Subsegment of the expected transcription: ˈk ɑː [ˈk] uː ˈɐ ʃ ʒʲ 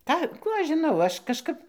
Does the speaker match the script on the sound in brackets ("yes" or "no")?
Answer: yes